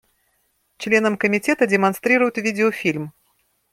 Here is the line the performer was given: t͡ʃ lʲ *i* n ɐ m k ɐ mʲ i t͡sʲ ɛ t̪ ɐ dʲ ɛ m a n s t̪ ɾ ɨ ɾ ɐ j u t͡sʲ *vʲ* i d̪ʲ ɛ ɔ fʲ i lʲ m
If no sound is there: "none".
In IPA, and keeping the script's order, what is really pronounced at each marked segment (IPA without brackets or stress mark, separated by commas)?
ɛ, vʲ